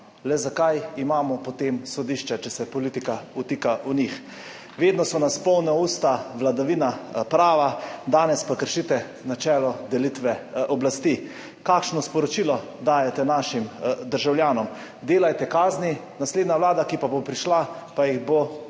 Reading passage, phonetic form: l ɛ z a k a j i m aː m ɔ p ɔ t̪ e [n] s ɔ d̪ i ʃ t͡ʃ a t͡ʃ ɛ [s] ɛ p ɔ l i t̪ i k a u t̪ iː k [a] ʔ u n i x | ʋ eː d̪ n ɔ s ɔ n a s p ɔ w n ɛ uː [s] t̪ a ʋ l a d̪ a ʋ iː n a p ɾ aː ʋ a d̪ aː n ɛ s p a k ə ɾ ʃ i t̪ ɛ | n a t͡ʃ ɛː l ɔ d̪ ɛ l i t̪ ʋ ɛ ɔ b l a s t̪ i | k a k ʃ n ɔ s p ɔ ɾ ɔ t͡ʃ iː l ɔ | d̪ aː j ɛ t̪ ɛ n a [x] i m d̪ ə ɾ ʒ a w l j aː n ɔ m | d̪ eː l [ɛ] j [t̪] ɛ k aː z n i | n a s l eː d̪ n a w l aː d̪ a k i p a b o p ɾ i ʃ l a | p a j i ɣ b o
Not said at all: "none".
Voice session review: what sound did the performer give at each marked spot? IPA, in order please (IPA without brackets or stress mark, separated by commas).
m, s, a, s, ʃ, a, t̪